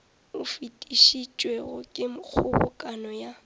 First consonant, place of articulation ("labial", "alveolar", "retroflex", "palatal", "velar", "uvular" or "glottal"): labial